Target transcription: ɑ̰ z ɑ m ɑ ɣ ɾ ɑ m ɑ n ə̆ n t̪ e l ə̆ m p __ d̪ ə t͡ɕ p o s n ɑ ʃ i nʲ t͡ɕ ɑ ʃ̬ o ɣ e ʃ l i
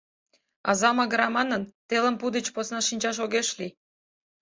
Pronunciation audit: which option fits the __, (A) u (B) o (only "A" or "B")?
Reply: A